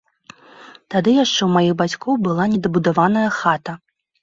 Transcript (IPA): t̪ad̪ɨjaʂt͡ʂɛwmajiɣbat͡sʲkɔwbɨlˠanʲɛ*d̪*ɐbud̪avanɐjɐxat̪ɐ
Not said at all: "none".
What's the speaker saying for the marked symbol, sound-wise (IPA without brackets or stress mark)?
d̪